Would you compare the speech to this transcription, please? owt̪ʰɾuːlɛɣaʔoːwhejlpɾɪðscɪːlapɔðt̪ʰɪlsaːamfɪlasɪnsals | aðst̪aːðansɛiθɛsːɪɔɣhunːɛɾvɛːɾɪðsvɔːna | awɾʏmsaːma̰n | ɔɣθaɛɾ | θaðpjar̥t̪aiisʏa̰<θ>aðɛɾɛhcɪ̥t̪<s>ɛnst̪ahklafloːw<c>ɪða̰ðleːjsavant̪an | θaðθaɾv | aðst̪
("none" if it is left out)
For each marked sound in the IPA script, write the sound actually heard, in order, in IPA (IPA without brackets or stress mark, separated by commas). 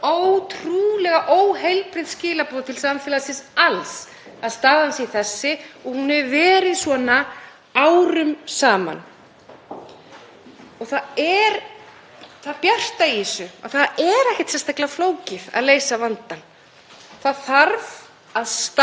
θ, s, c